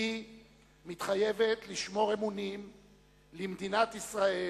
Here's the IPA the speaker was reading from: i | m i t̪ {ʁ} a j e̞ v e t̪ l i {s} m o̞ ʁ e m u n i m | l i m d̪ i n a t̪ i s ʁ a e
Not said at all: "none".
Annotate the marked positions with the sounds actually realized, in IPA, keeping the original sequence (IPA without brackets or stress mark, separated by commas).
χ, ʃ